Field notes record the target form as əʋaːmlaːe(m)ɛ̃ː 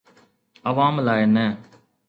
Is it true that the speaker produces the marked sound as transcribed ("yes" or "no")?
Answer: no